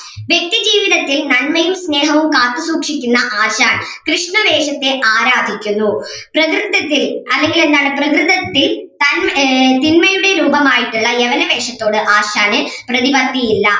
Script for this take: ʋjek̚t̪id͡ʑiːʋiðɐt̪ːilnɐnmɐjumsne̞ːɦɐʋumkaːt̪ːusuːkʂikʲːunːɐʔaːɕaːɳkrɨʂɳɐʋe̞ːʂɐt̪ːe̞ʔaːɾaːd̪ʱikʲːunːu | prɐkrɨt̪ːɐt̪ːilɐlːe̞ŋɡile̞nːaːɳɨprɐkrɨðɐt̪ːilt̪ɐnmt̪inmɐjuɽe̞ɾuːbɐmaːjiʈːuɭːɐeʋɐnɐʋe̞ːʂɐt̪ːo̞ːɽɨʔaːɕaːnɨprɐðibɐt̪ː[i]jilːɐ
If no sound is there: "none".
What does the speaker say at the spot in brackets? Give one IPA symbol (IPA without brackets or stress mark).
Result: i